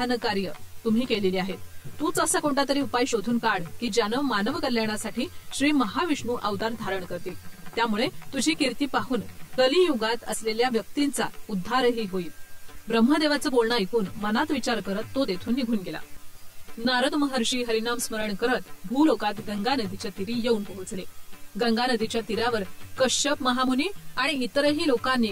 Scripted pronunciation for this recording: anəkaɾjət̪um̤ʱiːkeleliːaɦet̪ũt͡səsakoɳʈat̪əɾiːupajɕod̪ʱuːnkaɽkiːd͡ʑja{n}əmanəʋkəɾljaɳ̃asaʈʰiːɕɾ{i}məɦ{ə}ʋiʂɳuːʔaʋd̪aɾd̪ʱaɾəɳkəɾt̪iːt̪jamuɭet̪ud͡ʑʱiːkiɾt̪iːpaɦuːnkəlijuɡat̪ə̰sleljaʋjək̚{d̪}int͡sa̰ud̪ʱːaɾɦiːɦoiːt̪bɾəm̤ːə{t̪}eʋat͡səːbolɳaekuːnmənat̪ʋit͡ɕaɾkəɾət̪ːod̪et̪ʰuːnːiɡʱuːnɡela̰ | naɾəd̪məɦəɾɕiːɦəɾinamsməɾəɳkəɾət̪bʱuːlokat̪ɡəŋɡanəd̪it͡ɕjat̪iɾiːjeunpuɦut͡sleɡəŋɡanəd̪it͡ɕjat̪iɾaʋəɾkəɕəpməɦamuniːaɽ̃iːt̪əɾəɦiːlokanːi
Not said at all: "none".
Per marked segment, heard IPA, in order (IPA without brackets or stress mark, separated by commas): n, iː, a, t̪, d̪